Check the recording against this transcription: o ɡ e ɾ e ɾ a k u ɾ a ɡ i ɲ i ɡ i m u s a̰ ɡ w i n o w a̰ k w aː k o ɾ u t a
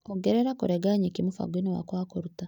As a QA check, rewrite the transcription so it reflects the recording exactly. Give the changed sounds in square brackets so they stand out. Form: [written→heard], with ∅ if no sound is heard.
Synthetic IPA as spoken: o ɡ e ɾ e ɾ a k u ɾ [a→e] ɡ [i→a] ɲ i [ɡ→k] i m u [s→f] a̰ ɡ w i n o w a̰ k w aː k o ɾ u t a